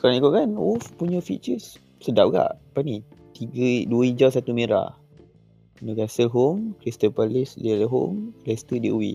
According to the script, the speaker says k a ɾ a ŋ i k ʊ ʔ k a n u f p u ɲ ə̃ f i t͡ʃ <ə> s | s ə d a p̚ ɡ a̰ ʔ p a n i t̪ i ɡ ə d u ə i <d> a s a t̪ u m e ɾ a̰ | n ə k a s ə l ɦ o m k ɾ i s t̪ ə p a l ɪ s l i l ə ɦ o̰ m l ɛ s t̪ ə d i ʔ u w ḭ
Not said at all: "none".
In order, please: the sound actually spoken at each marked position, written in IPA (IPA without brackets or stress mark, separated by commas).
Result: ə, d͡ʒ